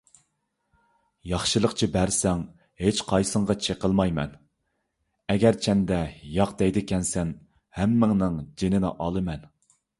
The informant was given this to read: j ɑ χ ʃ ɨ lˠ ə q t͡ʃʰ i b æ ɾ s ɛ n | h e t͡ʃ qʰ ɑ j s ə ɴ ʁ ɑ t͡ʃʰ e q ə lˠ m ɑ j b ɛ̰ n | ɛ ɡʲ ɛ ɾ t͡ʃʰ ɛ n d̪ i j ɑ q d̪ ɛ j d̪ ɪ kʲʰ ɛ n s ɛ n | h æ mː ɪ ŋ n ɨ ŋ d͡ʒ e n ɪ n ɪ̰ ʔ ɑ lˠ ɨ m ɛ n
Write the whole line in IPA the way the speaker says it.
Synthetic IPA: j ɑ χ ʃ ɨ lˠ ə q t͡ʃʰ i b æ ɾ s ɛ ŋ | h e t͡ʃ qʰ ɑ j s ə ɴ ʁ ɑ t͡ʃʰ e q ə lˠ m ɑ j m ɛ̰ n | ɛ ɡʲ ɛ ɾ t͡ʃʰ ɛ n d̪ ɛ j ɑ q d̪ ɛ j d̪ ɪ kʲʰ ɛ n s ɛ n | h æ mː ɪ ŋ n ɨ ŋ d͡ʒ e n ɪ n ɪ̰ ʔ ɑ lˠ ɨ m ɛ n